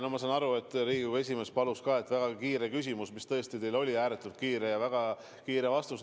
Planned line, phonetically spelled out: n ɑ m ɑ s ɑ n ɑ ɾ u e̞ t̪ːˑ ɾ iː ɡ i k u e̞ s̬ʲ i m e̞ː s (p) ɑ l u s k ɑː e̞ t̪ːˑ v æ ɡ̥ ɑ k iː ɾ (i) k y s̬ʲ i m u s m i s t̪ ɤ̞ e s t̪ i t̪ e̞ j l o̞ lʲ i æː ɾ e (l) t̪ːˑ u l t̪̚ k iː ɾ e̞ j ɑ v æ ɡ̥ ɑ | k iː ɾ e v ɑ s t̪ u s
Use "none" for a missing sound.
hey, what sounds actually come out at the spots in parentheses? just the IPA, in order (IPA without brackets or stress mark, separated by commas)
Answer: p, e, none